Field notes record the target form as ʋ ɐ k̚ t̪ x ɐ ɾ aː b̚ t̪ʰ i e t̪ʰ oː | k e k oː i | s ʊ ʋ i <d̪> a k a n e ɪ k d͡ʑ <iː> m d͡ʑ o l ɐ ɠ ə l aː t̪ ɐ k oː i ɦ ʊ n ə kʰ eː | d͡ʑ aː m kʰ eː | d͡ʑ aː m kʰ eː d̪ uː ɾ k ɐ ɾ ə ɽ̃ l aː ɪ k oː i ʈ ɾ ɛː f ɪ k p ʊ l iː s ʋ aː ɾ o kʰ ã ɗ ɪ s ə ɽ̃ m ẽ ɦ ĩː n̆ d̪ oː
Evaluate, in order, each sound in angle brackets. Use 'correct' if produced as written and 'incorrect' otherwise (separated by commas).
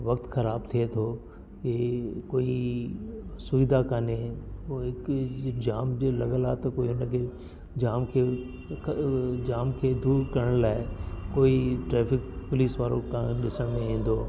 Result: correct, incorrect